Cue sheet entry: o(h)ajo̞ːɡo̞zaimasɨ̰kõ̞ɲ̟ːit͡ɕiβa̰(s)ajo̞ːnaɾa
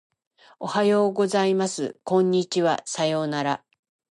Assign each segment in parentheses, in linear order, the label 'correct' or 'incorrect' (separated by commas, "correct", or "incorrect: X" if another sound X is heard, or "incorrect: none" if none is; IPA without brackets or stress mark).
correct, correct